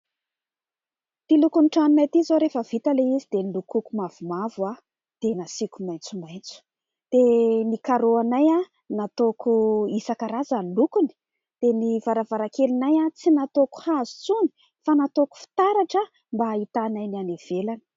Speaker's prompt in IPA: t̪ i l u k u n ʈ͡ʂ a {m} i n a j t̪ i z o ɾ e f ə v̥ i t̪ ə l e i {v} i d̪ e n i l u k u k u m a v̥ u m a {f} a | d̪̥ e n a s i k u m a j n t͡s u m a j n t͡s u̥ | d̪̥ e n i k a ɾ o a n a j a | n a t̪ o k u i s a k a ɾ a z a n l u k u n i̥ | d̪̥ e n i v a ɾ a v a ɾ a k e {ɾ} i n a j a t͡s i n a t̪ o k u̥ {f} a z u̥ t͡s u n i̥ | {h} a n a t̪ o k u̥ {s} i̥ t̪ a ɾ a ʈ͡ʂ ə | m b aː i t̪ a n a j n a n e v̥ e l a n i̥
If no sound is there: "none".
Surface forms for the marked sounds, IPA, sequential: n, z, v, l, h, f, f

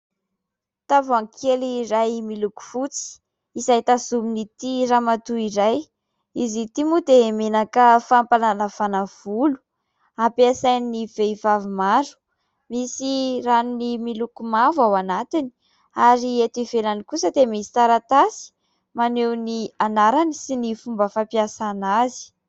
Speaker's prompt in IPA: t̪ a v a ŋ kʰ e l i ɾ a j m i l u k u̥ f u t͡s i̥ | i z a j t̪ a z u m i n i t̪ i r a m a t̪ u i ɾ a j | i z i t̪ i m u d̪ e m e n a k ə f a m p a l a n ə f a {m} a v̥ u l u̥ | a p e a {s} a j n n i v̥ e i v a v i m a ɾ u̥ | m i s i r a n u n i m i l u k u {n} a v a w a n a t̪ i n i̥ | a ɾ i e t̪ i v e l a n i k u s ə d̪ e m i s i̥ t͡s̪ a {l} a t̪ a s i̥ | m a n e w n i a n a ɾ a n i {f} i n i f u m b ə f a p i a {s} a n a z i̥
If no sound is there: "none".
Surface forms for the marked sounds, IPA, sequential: n, s, m, ɾ, s, s

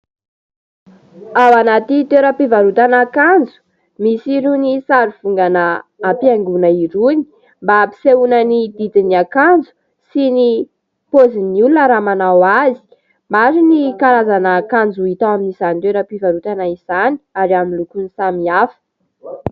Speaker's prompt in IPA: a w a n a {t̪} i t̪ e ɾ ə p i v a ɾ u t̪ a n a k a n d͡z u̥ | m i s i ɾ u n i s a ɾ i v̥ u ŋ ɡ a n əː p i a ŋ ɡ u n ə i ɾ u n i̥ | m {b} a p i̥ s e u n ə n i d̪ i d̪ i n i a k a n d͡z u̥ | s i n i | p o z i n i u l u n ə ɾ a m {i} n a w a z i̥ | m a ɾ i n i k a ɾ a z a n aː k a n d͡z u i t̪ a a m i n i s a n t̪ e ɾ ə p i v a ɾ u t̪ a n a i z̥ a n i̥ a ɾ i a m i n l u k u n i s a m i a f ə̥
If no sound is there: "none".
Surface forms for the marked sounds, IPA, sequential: t̪, b, a

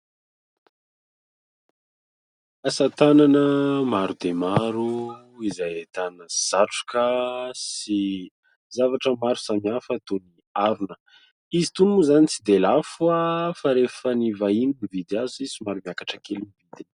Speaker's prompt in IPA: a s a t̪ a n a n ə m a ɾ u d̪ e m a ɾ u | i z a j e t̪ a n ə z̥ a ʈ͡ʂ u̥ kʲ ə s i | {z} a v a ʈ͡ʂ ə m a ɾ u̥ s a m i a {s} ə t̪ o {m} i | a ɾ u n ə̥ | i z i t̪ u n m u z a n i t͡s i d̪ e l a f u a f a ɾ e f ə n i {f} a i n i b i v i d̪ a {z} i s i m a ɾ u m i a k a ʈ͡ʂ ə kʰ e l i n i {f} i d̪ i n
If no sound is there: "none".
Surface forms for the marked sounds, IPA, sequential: z, f, n, v, z, v

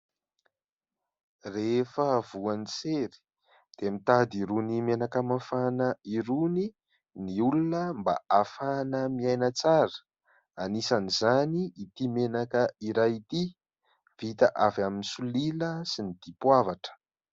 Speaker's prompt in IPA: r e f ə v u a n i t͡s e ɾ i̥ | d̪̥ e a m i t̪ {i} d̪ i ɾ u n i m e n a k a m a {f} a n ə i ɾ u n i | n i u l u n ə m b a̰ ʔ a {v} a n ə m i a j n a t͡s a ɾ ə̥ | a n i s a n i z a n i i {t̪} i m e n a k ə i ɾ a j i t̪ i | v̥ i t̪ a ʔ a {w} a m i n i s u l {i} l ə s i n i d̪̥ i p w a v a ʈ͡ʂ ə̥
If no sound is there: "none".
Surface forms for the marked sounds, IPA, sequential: a, f, f, t̪, v, i

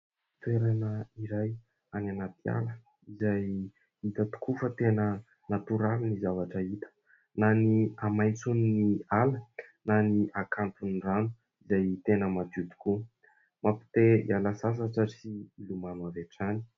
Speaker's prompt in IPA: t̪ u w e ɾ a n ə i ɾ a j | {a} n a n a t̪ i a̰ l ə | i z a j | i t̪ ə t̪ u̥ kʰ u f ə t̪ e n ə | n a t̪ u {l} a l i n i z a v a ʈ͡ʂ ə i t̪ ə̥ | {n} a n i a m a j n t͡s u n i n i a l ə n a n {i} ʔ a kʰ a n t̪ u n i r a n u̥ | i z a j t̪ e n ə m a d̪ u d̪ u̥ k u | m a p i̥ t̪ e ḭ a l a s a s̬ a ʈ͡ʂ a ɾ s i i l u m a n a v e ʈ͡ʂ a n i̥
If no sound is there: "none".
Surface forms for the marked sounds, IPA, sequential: a, ɾ, n, i

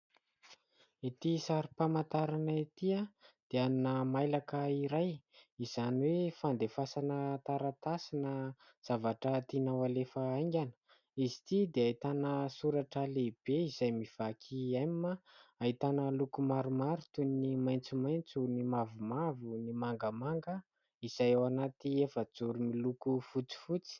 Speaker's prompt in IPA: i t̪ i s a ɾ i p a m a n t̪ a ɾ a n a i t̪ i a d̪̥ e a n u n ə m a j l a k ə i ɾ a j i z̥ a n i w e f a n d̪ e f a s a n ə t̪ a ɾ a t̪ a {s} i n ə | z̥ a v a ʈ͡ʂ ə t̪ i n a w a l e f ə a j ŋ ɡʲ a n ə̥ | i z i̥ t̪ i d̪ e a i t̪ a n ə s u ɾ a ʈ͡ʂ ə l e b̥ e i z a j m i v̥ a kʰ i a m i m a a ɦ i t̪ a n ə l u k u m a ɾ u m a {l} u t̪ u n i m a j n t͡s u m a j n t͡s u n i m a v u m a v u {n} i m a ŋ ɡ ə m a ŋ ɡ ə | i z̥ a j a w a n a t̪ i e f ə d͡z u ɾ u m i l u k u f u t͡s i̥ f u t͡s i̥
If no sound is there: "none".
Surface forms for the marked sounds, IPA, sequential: s, ɾ, n

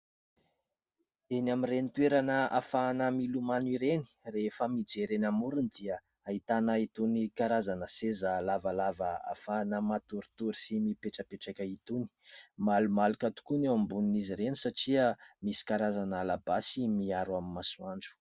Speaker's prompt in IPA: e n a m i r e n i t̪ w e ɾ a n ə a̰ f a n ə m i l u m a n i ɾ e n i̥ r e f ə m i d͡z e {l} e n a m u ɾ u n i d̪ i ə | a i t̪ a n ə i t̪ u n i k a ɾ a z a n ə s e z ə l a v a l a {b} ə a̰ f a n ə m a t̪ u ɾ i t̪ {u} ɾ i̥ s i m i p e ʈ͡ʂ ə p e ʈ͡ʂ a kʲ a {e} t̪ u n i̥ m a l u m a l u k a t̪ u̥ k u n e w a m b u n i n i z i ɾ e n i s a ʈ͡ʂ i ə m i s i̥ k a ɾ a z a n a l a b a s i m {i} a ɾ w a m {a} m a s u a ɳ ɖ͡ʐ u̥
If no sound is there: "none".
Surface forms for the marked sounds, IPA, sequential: ɾ, v, u, i, i, i

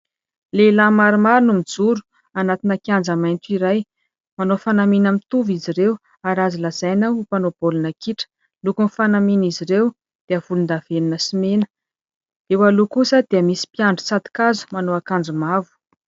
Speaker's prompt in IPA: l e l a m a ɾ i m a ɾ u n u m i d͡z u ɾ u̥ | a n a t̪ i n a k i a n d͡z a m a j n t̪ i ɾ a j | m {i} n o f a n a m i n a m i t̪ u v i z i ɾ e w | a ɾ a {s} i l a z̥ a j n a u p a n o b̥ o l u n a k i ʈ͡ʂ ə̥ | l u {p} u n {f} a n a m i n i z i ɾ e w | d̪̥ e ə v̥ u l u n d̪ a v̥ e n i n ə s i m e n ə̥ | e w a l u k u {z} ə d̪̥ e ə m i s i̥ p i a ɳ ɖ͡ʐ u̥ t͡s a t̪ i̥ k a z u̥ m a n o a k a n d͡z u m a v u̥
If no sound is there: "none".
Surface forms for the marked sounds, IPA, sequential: a, z, k, f, s

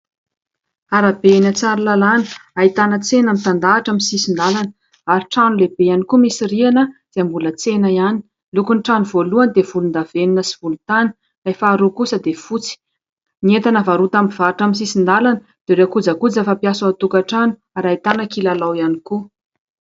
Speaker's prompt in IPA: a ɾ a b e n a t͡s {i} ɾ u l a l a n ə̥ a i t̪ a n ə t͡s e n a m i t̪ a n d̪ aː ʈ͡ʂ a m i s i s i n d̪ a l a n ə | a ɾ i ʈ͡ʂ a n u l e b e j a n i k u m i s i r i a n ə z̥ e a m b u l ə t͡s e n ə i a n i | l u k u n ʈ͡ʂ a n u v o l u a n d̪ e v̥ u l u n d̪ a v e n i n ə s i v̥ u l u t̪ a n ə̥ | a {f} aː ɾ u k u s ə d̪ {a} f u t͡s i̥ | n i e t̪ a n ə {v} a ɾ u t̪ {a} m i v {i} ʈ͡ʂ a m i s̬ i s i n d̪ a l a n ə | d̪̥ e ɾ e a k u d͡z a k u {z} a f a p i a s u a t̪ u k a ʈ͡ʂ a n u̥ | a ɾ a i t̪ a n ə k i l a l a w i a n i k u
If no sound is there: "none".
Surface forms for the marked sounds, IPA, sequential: a, f, e, v, a, a, d͡z

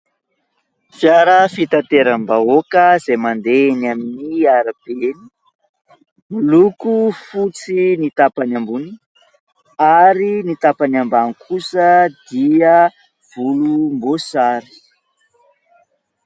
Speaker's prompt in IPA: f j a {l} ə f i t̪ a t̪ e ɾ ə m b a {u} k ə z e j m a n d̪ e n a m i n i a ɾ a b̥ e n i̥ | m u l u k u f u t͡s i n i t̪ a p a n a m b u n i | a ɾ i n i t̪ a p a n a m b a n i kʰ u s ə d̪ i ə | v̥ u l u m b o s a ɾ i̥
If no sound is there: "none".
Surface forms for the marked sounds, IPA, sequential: ɾ, o

